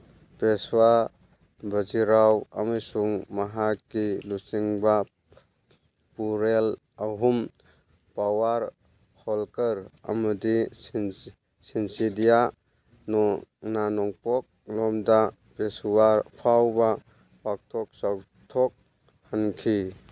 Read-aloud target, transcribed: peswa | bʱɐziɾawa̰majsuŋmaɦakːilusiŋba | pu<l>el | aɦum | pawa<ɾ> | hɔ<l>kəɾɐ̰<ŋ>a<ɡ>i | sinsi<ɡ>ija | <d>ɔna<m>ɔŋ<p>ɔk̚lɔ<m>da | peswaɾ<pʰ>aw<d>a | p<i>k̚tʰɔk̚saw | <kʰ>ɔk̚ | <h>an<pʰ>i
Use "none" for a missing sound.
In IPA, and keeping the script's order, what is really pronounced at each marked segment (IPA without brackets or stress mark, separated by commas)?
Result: ɾ, ɾ, l, m, d, d, n, n, p, m, pʰ, b, a, tʰ, h, kʰ